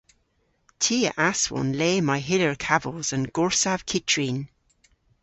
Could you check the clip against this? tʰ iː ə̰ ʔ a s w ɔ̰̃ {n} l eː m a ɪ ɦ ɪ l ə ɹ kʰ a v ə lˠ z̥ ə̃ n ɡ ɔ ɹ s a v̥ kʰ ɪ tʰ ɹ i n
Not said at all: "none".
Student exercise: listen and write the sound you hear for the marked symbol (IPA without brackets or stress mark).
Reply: n